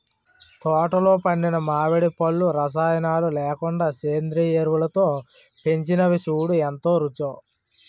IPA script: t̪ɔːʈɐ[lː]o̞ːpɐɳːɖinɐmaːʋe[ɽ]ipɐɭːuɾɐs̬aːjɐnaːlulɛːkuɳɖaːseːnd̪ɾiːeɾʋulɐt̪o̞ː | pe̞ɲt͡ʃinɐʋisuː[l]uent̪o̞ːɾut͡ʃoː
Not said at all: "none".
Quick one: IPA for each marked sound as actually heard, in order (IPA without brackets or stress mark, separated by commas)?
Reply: l, ɽ, ɽ